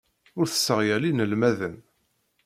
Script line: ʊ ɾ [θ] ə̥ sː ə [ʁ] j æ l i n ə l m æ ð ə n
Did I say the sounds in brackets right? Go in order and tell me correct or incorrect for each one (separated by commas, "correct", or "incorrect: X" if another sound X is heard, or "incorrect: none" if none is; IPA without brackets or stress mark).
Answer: correct, correct